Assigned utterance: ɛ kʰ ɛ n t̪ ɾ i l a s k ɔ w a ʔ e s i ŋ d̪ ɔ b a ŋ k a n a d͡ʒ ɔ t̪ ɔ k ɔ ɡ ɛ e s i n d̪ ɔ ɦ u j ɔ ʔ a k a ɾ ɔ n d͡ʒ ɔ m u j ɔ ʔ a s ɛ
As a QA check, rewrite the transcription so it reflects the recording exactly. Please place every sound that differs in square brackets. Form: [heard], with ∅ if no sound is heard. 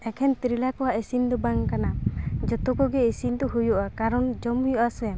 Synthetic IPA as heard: ɛ kʰ ɛ n t̪ ɾ i l a [∅] k ɔ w a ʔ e s i [n] d̪ ɔ b a ŋ k a n a d͡ʒ ɔ t̪ ɔ k ɔ ɡ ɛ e s i n d̪ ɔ ɦ u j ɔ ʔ a k a ɾ ɔ n d͡ʒ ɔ m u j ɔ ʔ a s ɛ

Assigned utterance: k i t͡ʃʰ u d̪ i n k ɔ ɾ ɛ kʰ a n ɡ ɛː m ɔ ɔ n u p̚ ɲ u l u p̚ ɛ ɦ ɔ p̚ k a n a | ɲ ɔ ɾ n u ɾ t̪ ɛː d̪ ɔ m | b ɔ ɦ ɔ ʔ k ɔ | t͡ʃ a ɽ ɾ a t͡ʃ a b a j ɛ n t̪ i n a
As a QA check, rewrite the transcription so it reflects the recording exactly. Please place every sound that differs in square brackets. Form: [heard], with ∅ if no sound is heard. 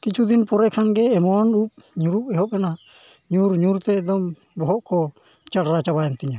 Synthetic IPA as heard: k i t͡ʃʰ u d̪ i n [p] ɔ ɾ ɛ kʰ a n ɡ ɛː m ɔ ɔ n u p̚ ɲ u [ɾ] u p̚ ɛ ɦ ɔ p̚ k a n a | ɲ [u] ɾ [ɲ] u ɾ t̪ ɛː d̪ ɔ m | b ɔ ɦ ɔ ʔ k ɔ | t͡ʃ a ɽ ɾ a t͡ʃ a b a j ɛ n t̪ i [ɲ] a

